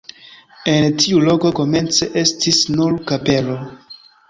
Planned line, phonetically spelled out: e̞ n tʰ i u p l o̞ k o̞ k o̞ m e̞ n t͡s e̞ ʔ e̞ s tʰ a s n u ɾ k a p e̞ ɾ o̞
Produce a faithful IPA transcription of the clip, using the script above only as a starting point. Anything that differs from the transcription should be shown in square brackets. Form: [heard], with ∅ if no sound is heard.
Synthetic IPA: e̞ n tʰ i u [∅] l o̞ k o̞ k o̞ m e̞ n t͡s e̞ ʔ e̞ s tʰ [i] s n u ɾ k a p e̞ [l] o̞